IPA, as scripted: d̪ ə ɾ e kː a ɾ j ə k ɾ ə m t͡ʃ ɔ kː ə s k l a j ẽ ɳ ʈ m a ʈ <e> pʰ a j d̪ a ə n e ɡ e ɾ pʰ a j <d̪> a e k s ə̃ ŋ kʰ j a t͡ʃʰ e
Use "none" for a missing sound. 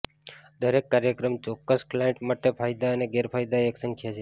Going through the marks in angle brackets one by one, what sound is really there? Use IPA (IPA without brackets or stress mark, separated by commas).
e, d̪